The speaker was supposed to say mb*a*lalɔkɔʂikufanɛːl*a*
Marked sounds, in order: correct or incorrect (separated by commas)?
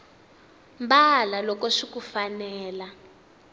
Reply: correct, correct